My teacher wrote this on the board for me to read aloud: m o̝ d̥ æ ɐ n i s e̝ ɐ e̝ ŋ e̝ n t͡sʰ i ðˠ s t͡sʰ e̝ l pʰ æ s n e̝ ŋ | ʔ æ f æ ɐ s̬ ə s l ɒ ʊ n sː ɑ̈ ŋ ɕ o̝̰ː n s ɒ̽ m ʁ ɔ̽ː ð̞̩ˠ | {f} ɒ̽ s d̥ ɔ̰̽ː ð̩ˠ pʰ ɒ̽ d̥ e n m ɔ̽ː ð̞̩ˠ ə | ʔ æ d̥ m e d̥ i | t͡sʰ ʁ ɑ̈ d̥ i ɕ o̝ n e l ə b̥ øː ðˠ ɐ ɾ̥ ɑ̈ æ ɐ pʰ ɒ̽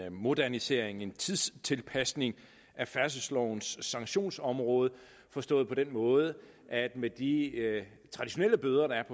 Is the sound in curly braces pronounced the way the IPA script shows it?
yes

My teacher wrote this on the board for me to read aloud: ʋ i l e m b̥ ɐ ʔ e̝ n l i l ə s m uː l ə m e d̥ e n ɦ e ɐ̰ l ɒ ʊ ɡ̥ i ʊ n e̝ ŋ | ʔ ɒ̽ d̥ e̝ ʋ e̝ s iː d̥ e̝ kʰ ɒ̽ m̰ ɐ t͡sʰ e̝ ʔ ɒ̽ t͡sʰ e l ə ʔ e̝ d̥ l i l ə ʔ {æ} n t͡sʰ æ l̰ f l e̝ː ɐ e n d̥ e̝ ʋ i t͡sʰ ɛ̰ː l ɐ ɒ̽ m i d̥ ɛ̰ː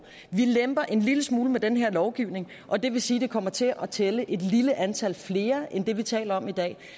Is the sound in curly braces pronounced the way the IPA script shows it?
yes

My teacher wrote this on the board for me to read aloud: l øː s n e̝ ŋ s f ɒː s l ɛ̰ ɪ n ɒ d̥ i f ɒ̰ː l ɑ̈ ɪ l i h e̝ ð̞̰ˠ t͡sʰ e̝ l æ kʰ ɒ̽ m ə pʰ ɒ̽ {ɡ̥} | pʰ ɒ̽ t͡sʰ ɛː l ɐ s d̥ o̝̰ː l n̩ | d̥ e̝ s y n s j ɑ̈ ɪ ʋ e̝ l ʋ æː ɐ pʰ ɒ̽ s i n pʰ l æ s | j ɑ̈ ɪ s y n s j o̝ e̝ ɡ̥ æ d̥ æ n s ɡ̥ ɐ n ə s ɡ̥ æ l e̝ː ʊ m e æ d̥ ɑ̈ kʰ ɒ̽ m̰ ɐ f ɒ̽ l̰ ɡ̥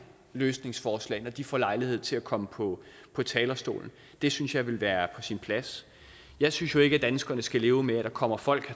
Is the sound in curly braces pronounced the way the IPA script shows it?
no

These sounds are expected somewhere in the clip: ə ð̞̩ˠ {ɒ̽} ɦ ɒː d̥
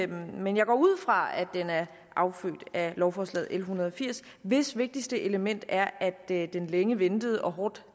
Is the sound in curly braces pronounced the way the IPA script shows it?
yes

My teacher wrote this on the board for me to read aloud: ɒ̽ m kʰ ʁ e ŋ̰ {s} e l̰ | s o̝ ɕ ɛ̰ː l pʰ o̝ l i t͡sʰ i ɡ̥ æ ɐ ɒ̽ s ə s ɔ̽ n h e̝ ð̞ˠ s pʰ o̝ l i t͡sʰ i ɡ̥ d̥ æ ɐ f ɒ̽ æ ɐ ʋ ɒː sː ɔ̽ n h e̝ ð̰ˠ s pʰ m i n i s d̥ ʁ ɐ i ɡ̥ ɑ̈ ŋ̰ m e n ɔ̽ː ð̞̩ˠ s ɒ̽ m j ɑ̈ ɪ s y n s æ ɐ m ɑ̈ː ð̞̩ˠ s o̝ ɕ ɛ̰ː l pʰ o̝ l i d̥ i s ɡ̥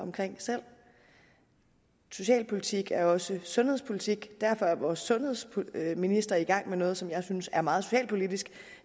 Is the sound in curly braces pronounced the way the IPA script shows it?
yes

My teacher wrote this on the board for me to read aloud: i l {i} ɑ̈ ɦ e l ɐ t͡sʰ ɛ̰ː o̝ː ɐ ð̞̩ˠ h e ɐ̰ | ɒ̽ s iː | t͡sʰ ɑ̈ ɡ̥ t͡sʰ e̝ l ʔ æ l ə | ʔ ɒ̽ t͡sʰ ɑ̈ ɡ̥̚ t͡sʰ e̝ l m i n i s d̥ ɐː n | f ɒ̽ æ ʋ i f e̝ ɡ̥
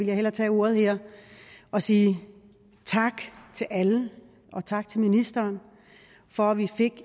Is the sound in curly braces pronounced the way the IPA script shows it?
no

